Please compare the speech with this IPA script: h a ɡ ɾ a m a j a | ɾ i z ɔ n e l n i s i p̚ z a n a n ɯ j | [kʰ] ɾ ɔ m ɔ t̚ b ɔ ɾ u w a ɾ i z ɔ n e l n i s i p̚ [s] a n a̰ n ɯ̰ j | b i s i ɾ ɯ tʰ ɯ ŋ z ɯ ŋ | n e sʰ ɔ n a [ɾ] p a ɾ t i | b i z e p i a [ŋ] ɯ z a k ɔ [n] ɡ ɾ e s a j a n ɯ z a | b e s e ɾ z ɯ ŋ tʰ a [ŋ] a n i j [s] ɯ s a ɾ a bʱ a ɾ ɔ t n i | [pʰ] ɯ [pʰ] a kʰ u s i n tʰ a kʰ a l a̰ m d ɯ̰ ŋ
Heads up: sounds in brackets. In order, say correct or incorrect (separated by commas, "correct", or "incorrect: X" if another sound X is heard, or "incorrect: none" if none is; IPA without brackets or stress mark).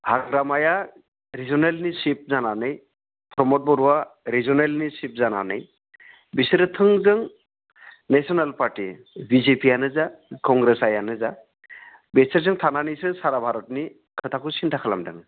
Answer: incorrect: pʰ, incorrect: z, incorrect: l, incorrect: n, incorrect: ŋ, incorrect: n, correct, incorrect: kʰ, incorrect: tʰ